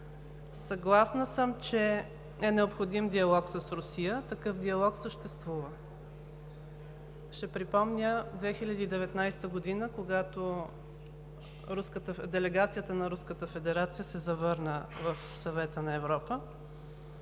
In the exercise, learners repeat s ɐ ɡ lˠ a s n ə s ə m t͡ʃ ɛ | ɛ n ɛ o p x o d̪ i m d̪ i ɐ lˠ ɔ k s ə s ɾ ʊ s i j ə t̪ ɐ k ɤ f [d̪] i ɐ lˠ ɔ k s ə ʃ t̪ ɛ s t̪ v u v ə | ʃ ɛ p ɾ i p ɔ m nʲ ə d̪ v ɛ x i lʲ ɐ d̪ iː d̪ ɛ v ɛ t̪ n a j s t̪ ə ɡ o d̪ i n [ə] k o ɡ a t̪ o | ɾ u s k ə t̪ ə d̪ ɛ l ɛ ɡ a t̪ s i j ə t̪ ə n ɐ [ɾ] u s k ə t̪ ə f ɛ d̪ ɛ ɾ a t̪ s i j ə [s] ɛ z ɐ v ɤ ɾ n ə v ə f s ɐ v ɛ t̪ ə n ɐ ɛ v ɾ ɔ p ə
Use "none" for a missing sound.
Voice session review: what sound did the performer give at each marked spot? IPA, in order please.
d̪, ə, ɾ, s

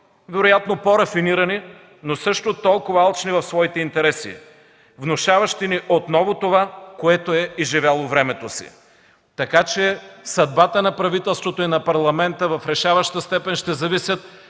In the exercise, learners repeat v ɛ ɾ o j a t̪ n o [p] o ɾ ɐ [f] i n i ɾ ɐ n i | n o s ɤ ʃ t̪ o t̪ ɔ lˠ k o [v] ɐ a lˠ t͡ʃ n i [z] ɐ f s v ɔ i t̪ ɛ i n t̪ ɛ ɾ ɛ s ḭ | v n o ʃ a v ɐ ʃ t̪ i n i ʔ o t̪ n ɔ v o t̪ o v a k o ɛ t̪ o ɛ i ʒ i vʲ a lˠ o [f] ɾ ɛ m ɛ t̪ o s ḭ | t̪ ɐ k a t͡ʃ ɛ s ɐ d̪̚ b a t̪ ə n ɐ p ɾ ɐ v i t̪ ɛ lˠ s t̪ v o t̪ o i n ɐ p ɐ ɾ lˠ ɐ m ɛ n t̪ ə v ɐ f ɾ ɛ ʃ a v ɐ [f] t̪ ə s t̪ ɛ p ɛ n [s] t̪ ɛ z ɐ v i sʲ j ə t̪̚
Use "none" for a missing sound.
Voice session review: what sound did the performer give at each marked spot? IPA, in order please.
p, f, v, v, v, ʃ, ʃ

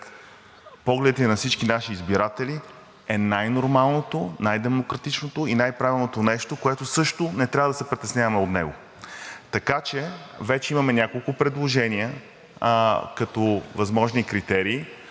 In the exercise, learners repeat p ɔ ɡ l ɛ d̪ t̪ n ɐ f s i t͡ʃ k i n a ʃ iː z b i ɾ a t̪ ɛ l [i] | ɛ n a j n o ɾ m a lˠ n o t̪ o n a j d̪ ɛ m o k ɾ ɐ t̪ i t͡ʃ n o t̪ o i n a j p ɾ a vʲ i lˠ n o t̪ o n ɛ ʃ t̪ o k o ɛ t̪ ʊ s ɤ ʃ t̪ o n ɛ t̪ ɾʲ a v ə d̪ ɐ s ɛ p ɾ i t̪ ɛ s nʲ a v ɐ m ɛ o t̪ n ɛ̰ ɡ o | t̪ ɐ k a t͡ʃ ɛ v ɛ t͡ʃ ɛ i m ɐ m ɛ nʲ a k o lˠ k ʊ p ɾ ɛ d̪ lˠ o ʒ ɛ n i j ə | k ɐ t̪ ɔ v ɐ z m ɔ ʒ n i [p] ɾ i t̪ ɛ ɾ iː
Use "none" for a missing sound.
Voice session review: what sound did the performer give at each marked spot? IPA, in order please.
i, k

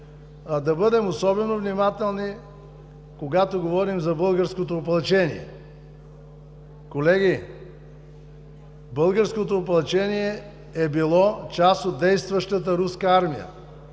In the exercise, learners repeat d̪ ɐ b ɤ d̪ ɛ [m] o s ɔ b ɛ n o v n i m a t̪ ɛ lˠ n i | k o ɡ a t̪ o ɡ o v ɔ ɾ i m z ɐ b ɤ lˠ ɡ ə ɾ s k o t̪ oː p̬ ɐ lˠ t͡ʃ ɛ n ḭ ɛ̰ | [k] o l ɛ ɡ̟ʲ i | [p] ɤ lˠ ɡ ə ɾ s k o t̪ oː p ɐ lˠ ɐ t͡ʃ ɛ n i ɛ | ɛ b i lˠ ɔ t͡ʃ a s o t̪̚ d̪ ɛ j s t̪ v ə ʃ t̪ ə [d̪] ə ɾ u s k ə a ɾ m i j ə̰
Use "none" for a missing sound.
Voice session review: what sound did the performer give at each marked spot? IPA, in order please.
m, k, b, t̪

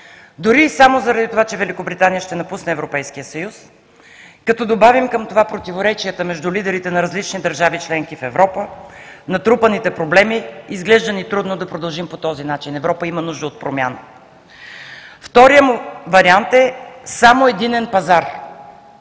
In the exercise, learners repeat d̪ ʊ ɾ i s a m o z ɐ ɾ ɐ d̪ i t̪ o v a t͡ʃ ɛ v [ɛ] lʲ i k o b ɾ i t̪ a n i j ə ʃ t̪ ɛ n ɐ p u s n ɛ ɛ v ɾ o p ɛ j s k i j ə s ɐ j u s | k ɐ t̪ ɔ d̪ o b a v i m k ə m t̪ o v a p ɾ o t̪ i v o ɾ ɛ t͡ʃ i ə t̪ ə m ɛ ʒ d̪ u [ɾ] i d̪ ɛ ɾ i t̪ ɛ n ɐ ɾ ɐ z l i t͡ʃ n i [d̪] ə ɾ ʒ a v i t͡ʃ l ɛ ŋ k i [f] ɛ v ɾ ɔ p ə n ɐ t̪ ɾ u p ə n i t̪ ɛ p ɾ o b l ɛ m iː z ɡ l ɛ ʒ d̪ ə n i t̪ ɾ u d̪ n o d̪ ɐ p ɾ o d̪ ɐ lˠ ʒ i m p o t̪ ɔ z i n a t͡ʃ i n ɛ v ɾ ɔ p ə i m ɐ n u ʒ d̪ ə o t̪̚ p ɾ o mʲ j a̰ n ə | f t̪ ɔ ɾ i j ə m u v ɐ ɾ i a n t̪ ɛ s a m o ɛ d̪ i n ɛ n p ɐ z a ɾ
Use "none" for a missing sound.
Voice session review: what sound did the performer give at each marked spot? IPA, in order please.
ɛ, l, d̪, f

